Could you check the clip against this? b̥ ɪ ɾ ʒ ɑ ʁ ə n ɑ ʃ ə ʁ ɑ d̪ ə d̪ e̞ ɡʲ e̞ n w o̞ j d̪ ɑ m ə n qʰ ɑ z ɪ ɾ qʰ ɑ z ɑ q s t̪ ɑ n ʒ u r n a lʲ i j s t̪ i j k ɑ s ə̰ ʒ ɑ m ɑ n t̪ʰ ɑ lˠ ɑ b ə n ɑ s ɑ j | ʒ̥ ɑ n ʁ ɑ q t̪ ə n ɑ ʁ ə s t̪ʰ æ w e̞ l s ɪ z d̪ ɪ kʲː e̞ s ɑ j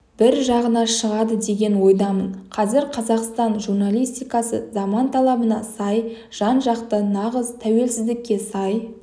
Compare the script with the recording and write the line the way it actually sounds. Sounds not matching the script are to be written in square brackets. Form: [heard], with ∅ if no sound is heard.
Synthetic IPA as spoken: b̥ ɪ ɾ ʒ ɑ ʁ ə n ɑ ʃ ə ʁ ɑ d̪ ə d̪ e̞ ɡʲ e̞ n w o̞ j d̪ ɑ m ə n qʰ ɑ z ɪ ɾ qʰ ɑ z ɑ q s t̪ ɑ n ʒ u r n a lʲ i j s t̪ i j k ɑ s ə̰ [z] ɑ m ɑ n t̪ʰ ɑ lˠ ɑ b ə n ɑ s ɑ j | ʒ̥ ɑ n [ʒ] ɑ q t̪ ə n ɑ ʁ ə [z] t̪ʰ æ w e̞ l s ɪ z d̪ ɪ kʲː e̞ s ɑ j